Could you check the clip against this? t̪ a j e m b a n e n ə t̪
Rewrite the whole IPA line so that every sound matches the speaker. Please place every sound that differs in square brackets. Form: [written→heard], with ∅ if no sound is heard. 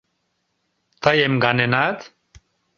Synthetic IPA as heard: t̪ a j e m [b→ɡ] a n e n [ə→a] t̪